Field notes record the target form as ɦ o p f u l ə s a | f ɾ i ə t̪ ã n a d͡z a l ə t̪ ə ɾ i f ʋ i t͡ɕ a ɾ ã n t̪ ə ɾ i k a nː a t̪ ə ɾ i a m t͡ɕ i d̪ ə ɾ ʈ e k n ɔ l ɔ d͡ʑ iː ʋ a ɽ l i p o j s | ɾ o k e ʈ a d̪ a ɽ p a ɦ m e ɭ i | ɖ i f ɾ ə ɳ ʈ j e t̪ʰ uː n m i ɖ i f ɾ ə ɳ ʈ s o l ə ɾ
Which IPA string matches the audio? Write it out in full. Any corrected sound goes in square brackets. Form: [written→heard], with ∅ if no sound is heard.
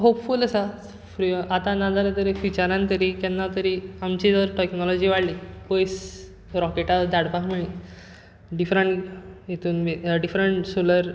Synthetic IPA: ɦ o p f u l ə s a | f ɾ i [ə→a] t̪ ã n a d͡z a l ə t̪ ə ɾ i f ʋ i t͡ɕ a ɾ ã n t̪ ə ɾ i k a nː a t̪ ə ɾ i a m t͡ɕ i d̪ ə ɾ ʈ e k n ɔ l ɔ d͡ʑ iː ʋ a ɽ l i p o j s | ɾ [o→ɔ] k e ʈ a d̪ a ɽ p a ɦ m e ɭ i | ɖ i f ɾ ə ɳ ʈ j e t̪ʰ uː n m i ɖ i f ɾ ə ɳ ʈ s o l ə ɾ